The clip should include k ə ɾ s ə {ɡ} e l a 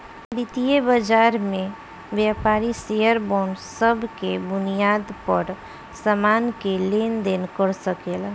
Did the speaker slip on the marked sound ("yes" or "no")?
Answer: yes